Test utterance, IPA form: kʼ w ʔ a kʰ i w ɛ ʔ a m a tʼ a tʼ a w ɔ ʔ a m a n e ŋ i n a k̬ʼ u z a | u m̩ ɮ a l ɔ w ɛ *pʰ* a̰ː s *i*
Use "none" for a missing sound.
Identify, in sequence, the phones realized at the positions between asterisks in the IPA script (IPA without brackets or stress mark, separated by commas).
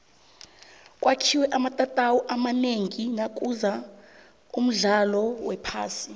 pʰ, i